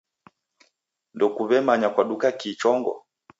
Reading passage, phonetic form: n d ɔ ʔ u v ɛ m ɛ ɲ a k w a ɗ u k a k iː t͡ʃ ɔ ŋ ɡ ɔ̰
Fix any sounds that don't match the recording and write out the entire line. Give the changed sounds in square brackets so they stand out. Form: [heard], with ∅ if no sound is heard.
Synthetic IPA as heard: n d ɔ [k] u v ɛ m [a] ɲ a k w a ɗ u k a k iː t͡ʃ ɔ ŋ ɡ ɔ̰